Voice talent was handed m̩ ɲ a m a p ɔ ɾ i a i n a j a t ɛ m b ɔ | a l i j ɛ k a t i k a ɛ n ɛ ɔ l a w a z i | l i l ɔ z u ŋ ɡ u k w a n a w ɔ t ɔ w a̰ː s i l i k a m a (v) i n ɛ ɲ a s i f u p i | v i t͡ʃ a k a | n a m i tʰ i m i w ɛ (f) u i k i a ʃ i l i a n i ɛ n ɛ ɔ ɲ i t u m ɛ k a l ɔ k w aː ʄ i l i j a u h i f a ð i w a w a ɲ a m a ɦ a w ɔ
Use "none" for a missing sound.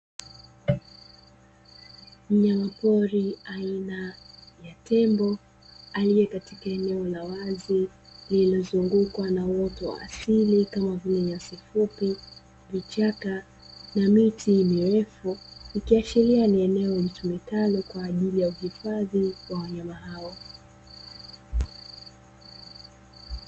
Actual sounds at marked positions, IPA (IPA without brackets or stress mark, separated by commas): v, f